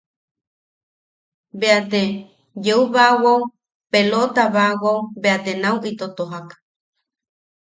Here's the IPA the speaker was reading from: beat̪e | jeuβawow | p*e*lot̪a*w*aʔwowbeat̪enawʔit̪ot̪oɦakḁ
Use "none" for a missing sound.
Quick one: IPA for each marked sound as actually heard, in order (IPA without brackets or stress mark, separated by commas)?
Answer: e, β